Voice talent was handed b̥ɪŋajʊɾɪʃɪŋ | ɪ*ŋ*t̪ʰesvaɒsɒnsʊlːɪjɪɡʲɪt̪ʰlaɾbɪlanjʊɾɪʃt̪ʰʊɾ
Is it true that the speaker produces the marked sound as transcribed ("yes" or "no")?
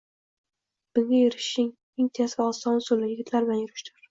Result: yes